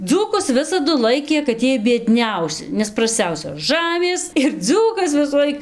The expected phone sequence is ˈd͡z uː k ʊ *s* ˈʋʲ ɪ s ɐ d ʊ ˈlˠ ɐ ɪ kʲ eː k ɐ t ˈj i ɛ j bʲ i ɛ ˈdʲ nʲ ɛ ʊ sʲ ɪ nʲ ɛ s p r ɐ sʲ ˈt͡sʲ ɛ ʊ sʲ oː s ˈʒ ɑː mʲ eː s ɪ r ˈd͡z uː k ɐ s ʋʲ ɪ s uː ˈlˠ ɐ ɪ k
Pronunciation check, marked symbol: correct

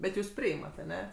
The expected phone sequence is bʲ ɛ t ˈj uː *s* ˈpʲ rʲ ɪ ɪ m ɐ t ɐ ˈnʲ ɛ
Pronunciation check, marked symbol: correct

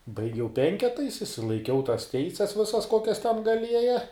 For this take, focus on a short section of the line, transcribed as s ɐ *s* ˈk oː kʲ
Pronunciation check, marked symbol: correct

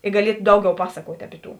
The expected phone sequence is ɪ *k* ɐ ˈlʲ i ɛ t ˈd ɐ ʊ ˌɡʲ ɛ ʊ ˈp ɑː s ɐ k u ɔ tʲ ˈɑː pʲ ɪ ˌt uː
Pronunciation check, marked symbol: incorrect: ɡ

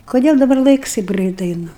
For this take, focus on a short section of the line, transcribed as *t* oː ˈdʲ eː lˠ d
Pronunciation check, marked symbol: incorrect: k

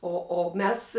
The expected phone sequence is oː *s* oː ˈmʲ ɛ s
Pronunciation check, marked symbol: incorrect: none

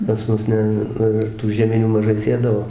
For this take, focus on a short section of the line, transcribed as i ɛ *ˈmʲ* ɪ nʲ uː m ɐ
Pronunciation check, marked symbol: correct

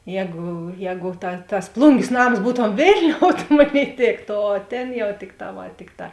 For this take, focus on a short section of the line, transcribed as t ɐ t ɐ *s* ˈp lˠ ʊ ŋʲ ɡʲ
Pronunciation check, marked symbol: correct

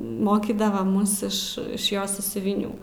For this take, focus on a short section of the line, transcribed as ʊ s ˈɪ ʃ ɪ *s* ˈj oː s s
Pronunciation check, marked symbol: incorrect: ʃ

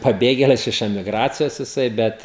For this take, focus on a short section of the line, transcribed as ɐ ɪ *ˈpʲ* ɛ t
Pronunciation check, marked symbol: incorrect: bʲ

